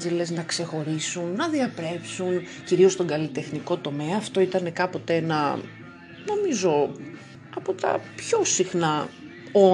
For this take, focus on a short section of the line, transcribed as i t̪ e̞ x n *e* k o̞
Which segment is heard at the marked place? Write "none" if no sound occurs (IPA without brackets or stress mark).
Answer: i